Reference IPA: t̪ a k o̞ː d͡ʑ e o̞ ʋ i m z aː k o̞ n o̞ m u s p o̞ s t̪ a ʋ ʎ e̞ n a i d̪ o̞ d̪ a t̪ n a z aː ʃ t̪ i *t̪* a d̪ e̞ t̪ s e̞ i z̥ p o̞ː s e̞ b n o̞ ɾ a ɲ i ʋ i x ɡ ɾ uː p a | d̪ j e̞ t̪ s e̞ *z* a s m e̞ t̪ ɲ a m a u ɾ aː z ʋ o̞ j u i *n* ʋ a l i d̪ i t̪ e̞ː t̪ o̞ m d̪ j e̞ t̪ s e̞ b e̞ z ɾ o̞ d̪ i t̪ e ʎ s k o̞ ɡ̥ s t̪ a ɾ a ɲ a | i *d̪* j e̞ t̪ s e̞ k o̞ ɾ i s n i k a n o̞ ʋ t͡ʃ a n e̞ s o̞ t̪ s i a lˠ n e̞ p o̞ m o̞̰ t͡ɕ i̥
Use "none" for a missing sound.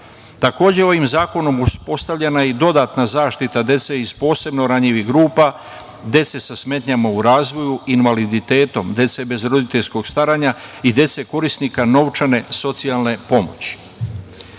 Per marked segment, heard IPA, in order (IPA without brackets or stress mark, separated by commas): t̪, s, n, d̪